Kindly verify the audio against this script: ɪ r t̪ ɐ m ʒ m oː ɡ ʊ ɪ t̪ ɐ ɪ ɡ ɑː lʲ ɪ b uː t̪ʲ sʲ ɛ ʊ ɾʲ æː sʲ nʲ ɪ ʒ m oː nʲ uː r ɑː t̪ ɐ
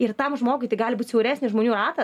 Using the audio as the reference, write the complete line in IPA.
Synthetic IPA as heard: ɪ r t̪ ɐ m ʒ m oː ɡ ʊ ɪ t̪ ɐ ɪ ɡ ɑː lʲ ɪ b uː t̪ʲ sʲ ɛ ʊ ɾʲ æː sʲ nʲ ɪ ʒ m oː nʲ uː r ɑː t̪ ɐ

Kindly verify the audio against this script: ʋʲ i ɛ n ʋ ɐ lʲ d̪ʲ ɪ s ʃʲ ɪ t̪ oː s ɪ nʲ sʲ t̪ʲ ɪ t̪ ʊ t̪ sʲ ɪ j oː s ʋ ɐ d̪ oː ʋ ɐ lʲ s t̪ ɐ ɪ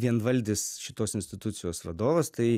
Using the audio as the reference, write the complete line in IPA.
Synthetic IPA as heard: ʋʲ i ɛ n ʋ ɐ lʲ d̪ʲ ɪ s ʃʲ ɪ t̪ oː s ɪ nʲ sʲ t̪ʲ ɪ t̪ ʊ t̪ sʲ ɪ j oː s ʋ ɐ d̪ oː ʋ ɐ s t̪ ɐ ɪ

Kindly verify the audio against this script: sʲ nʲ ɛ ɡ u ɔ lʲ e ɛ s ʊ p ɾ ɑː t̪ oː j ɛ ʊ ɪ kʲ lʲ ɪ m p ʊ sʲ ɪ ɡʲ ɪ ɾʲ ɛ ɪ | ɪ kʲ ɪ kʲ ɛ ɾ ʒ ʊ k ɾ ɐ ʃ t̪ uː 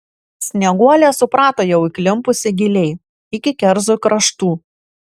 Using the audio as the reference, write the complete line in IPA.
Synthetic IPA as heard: sʲ nʲ ɛ ɡ u ɔ lʲ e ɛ s ʊ p ɾ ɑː t̪ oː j ɛ ʊ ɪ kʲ lʲ ɪ m p ʊ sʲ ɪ ɡʲ ɪ lʲ ɛ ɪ | ɪ kʲ ɪ kʲ ɛ ɾ z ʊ k ɾ ɐ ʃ t̪ uː

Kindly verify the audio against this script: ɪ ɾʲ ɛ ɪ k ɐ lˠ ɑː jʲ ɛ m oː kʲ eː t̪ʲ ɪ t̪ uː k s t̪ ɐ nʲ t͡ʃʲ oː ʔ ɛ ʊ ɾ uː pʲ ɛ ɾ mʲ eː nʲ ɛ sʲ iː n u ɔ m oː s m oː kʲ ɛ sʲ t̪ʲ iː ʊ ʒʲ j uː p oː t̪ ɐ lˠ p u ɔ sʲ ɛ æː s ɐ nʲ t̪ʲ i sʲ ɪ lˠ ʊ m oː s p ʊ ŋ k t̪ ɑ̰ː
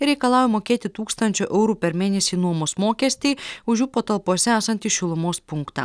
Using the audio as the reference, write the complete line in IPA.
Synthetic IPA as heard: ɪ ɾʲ ɛ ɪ k ɐ lˠ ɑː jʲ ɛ m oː kʲ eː t̪ʲ ɪ t̪ uː k s t̪ ɐ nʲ t͡ʃʲ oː ʔ ɛ ʊ ɾ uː pʲ ɛ ɾ mʲ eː nʲ ɛ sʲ iː n u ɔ m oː s m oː kʲ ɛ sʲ t̪ʲ iː ʊ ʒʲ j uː p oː t̪ ɐ lˠ p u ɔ sʲ ɛ æː s ɐ nʲ t̪ʲ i ʃʲ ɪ lˠ ʊ m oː s p ʊ ŋ k t̪ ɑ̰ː

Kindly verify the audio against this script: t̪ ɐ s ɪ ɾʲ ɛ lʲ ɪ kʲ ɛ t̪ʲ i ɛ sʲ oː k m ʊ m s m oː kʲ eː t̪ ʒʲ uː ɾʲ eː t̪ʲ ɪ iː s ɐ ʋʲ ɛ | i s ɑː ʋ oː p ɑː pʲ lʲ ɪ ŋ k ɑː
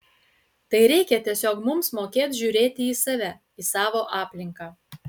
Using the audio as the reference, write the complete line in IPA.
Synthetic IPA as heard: t̪ ɐ ɪ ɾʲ ɛ ɪ kʲ ɛ t̪ʲ i ɛ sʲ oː k m ʊ m s m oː kʲ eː t̪ ʒʲ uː ɾʲ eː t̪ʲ ɪ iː s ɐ ʋʲ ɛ | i s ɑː ʋ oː ʔ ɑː pʲ lʲ ɪ ŋ k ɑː

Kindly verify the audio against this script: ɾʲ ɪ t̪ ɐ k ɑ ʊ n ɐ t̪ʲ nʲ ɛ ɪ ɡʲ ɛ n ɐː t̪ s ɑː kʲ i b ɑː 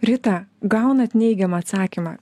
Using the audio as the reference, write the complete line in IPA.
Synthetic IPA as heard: ɾʲ ɪ t̪ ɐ ɡ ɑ ʊ n ɐ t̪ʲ nʲ ɛ ɪ ɡʲ ɛ m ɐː t̪ s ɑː kʲ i m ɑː

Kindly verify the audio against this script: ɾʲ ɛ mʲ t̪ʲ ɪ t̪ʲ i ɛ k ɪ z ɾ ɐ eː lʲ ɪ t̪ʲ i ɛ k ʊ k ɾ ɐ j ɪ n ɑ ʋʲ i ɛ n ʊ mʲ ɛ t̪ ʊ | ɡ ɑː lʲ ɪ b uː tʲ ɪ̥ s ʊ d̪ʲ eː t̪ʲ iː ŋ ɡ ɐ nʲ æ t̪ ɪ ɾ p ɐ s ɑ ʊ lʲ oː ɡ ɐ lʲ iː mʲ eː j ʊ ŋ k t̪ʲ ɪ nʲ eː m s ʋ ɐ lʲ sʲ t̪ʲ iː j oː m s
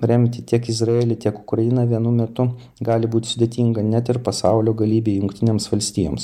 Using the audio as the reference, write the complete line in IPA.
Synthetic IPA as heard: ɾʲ ɛ mʲ t̪ʲ ɪ t̪ʲ i ɛ k ɪ z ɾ ɐ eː lʲ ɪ t̪ʲ i ɛ k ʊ k ɾ ɐ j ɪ n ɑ ʋʲ i ɛ n ʊ mʲ ɛ t̪ ʊ | ɡ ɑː lʲ ɪ b uː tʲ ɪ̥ s ʊ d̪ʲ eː t̪ʲ iː ŋ ɡ ɐ nʲ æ t̪ ɪ ɾ p ɐ s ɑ ʊ lʲ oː ɡ ɐ lʲ iː bʲ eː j ʊ ŋ k t̪ʲ ɪ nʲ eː m s ʋ ɐ lʲ sʲ t̪ʲ iː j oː m s

